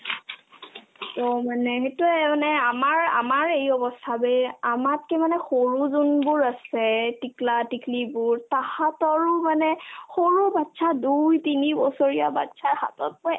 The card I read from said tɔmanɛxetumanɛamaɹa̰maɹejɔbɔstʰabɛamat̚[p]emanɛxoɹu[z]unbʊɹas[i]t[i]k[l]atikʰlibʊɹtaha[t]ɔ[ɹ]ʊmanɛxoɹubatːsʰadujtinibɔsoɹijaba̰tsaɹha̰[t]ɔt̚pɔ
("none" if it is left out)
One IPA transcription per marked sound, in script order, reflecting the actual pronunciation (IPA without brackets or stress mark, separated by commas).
k, z, ɛ, i, l, t, ɹ, t